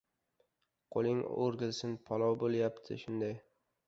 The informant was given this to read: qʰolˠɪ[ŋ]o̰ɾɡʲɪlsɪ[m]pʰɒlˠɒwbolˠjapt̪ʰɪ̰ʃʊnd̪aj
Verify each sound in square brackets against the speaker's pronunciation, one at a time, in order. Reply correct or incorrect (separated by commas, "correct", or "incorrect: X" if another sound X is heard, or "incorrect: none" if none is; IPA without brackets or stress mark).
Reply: correct, incorrect: n